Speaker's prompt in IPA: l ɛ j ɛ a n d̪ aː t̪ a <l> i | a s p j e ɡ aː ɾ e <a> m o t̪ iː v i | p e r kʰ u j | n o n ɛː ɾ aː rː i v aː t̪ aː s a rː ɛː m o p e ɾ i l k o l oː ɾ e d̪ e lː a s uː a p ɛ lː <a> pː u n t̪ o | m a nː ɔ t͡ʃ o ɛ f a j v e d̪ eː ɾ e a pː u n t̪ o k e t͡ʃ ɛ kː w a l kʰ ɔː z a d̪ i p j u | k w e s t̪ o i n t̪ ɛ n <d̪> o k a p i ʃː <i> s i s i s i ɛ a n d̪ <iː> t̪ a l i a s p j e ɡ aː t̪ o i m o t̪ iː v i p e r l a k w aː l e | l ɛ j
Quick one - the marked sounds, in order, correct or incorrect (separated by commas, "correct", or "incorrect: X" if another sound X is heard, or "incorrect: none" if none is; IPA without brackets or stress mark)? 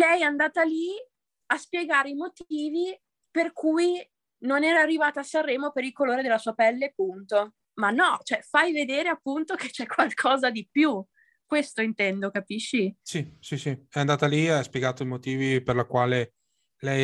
correct, incorrect: i, incorrect: e, correct, correct, incorrect: aː